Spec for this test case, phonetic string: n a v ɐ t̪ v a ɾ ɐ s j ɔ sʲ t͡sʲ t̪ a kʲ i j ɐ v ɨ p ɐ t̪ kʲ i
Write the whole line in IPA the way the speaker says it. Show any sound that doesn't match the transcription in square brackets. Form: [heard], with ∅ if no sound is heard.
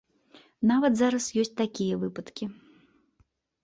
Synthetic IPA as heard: n a v ɐ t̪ [z] a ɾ ɐ s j ɔ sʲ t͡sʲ t̪ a kʲ i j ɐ v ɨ p ɐ t̪ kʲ i